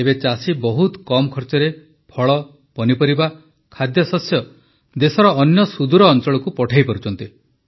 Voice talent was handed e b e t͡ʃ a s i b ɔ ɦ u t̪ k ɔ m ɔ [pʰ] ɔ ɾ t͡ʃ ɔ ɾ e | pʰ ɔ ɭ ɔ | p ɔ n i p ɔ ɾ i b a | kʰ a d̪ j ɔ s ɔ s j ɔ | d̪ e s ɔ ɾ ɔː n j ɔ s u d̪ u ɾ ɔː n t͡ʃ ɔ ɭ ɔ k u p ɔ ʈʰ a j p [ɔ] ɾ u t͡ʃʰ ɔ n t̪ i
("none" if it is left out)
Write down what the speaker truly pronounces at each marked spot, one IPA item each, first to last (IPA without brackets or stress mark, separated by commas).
kʰ, ɔ